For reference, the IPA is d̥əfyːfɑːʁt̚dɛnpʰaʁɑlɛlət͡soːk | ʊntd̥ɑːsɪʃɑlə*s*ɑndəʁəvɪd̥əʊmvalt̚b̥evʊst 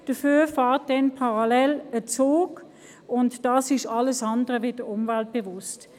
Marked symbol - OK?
yes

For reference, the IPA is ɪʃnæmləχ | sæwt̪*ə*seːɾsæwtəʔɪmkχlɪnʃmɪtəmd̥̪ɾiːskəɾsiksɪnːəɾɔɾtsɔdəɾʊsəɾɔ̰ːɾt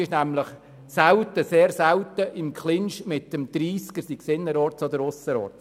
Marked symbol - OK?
yes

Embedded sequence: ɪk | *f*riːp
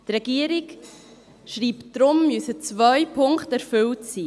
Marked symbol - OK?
no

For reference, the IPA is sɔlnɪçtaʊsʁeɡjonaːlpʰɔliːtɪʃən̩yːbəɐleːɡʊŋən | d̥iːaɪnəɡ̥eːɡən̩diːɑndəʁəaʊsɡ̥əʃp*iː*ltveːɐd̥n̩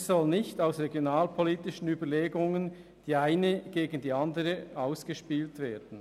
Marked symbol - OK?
yes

